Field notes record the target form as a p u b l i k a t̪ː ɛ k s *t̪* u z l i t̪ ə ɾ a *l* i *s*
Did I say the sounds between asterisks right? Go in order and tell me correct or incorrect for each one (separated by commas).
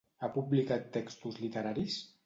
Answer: correct, incorrect, correct